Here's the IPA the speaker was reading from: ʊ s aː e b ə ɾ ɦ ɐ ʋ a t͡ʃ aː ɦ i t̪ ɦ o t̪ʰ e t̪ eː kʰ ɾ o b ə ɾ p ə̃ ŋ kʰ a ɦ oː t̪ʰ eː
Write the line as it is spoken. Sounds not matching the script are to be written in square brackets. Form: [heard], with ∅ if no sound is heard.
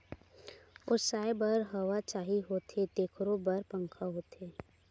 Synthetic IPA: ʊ s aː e b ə ɾ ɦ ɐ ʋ a t͡ʃ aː ɦ i [∅] ɦ o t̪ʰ e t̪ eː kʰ ɾ o b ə ɾ p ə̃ ŋ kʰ a ɦ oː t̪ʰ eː